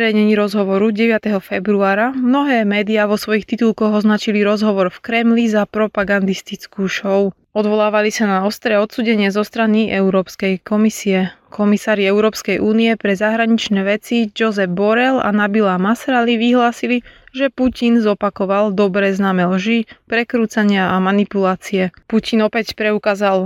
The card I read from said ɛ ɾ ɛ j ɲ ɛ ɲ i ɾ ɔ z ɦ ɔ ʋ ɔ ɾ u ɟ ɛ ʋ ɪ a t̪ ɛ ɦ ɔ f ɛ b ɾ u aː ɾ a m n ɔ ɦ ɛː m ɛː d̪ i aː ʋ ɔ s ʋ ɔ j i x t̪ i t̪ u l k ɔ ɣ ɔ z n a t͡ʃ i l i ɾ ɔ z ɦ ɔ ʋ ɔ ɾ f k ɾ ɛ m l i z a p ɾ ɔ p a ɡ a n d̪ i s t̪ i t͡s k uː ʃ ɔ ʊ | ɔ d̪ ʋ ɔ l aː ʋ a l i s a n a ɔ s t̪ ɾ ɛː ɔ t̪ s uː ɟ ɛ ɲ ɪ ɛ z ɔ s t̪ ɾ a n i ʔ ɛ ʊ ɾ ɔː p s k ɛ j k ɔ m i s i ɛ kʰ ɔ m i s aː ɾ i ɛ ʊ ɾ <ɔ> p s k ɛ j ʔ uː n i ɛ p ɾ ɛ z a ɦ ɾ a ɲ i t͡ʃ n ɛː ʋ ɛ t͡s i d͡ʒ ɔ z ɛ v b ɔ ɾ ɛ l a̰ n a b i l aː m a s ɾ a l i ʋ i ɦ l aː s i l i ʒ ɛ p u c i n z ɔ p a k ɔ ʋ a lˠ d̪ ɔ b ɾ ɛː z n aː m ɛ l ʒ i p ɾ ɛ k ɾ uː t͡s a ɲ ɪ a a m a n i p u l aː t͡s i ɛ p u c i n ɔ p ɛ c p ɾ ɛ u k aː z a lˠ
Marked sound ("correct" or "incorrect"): incorrect